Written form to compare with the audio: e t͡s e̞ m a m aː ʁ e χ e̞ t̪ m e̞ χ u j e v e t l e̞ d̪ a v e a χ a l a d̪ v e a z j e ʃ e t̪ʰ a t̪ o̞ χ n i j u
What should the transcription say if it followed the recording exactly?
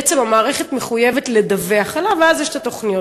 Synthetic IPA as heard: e t͡s e̞ m a m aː ʁ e χ e̞ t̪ m e̞ χ u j e v e t l e̞ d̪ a v e a χ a l a v e a z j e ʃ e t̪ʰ a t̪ o̞ χ n i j o